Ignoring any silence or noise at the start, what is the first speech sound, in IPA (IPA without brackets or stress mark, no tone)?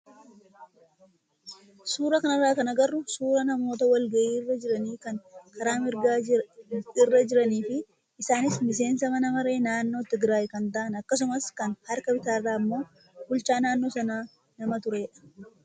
s